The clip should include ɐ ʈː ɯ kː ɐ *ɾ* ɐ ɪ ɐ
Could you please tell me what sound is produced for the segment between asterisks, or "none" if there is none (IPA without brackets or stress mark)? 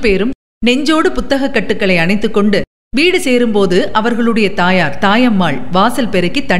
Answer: ɭ